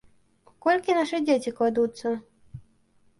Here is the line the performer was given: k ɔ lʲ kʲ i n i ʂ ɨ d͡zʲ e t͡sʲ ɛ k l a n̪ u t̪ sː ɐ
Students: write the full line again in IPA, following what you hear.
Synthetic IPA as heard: k ɔ lʲ kʲ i n a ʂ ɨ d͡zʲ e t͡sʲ i k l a d̪ u t̪ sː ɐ